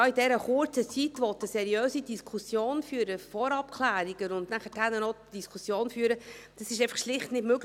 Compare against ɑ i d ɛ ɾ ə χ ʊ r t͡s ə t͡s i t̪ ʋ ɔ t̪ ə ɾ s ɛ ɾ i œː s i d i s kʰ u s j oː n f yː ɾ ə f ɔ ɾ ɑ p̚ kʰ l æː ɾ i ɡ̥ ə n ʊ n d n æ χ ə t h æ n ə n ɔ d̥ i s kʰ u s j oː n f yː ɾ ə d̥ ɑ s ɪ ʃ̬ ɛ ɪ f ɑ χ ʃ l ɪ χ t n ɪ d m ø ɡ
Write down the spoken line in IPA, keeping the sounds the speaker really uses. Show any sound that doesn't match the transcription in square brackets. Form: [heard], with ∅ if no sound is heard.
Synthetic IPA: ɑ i d ɛ ɾ ə χ ʊ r t͡s ə t͡s i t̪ ʋ ɔ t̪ ə [∅] s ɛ ɾ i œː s i d i s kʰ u s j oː n f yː ɾ ə f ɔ ɾ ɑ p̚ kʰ l æː ɾ i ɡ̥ ə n ʊ n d n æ χ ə t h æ n ə n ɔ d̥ i s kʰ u s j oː n f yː ɾ ə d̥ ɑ s ɪ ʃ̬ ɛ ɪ f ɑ χ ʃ l ɪ χ t n ɪ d m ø ɡ